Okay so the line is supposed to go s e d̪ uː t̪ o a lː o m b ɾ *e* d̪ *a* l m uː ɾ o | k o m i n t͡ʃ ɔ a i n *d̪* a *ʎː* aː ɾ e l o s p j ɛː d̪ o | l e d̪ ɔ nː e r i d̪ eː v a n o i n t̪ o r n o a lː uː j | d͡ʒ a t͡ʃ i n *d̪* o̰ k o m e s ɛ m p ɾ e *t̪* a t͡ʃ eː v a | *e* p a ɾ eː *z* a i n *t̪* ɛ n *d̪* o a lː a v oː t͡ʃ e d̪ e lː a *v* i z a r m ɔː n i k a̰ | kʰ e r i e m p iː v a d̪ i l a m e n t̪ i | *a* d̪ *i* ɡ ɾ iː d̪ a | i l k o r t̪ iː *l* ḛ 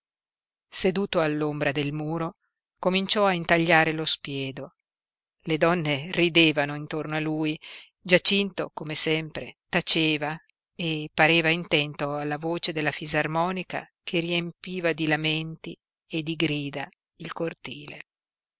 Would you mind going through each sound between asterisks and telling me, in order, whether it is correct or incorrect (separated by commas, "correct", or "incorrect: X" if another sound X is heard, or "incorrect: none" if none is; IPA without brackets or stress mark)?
incorrect: a, incorrect: e, incorrect: t̪, correct, incorrect: t̪, correct, correct, incorrect: v, correct, incorrect: t̪, incorrect: f, incorrect: e, correct, correct